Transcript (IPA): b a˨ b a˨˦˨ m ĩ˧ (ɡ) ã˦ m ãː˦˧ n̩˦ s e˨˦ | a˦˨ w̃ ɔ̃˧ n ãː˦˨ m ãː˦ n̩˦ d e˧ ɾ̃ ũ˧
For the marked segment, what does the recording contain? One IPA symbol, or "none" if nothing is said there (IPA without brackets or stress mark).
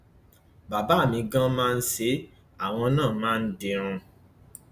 ɡ